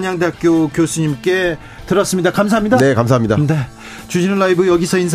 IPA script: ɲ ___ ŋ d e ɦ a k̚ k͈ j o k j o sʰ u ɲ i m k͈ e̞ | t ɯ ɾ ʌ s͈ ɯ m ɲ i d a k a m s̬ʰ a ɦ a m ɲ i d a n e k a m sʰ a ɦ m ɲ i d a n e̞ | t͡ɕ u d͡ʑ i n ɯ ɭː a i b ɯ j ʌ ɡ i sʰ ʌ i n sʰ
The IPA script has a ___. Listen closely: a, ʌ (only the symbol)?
a